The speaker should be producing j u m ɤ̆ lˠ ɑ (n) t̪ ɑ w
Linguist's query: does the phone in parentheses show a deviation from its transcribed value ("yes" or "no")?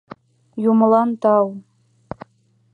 no